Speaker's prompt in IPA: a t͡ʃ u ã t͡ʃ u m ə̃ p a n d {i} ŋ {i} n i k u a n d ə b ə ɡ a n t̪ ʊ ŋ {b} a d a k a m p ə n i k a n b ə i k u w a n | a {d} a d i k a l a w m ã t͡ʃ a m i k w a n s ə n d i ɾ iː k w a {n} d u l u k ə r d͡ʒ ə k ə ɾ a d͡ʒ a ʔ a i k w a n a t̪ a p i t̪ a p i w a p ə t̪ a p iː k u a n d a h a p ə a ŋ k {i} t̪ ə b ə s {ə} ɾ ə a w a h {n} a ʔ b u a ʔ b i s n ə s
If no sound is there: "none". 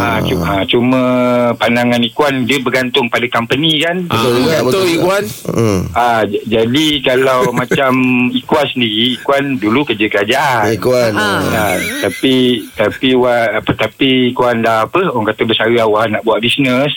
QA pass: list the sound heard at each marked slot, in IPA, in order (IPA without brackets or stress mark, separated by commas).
a, a, p, d͡ʒ, n, a, a, n